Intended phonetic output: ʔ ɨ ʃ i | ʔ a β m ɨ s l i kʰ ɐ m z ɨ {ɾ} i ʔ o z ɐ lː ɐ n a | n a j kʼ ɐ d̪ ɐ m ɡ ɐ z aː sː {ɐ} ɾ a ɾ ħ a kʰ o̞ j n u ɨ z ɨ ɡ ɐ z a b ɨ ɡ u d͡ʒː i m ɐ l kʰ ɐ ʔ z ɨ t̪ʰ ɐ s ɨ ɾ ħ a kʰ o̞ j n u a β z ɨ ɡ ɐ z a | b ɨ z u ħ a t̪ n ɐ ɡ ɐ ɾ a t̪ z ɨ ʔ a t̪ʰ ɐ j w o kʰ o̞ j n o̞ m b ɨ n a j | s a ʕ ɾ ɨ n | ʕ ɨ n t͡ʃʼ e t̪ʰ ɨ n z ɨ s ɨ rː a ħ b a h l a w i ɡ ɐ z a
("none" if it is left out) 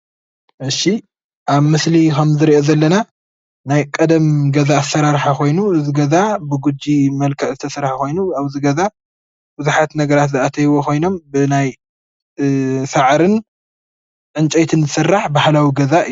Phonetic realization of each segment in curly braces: ɾ, ɐ

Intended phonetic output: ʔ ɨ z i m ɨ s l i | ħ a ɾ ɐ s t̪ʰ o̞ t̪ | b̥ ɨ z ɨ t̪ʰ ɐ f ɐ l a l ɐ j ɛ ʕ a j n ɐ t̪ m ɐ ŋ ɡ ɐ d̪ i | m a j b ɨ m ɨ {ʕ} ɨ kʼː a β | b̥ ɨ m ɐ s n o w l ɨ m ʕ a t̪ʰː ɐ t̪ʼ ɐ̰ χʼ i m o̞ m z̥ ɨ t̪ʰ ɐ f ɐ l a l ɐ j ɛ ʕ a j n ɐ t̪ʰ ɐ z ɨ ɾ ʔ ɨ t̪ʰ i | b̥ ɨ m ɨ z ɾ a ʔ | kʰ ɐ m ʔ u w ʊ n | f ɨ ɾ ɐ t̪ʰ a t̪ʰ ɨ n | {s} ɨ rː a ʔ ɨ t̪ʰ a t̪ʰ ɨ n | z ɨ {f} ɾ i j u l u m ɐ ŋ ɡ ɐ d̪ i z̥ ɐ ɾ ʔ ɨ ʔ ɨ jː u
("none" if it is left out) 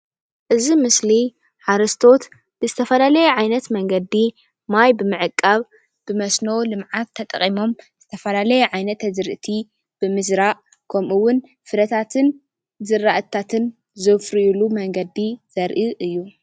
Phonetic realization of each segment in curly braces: ʕ, z, f

